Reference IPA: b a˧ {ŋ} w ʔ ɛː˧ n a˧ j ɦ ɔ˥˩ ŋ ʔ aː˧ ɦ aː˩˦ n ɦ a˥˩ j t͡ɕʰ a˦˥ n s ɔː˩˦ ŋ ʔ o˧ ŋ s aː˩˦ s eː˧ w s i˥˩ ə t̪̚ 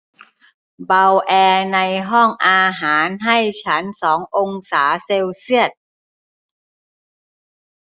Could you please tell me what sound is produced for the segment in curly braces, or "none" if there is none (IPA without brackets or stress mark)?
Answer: none